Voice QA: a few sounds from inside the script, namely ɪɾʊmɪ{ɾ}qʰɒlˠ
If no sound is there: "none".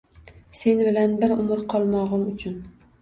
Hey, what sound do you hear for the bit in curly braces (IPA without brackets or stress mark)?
ɾ